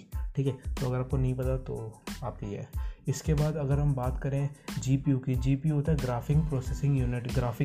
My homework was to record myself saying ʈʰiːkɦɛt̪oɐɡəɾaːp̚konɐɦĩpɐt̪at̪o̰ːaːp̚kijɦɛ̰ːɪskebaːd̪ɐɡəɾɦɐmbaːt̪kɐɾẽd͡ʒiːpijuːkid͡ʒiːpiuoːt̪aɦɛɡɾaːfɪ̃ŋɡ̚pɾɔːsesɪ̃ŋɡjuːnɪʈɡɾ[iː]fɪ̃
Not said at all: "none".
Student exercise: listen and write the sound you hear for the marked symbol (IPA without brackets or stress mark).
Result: aː